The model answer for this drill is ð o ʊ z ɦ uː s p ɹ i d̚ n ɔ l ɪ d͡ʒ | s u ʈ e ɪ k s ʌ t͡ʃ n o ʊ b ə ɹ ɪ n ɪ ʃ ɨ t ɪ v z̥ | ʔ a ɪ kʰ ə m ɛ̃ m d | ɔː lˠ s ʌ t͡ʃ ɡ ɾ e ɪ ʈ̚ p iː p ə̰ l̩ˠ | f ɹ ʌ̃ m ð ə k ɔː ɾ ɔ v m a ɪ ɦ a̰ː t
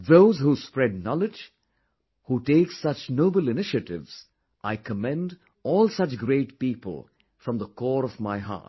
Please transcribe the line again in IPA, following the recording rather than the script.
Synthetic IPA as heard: ð o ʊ z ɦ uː s p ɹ ɛ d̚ n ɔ l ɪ d͡ʒ | h u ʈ e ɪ k s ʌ t͡ʃ n o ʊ b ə l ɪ n ɪ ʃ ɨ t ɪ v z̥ | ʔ a ɪ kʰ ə m ɛ̃ n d | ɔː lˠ s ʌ t͡ʃ ɡ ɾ e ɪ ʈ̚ p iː p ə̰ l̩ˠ | f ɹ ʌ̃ m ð ə k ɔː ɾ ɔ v m a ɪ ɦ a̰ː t